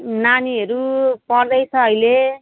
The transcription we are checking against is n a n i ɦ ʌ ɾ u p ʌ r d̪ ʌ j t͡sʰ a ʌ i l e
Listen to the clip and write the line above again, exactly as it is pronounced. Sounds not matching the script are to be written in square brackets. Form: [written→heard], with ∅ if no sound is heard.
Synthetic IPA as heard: n a n i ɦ ʌ ɾ u p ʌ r d̪ ʌ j t͡sʰ [a→ʌ] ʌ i l e